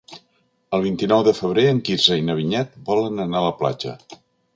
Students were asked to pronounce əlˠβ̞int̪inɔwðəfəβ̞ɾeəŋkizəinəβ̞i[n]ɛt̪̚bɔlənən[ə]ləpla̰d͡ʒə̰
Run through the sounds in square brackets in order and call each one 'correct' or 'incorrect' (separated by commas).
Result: incorrect, incorrect